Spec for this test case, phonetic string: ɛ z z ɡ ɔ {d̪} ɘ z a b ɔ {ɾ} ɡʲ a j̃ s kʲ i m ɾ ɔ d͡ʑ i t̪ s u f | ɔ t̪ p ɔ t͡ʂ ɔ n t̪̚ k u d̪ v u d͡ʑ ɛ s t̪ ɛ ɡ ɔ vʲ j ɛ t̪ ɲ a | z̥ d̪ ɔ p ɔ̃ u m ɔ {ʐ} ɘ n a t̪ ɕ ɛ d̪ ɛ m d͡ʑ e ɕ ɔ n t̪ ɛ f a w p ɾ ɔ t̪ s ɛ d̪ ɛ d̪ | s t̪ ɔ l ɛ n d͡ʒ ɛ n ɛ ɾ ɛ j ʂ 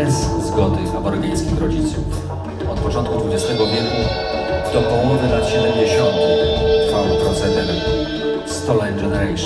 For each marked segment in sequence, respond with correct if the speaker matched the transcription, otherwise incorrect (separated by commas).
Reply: correct, correct, incorrect